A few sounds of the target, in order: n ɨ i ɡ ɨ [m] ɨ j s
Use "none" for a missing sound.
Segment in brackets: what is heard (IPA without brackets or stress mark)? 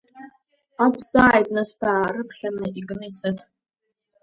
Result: n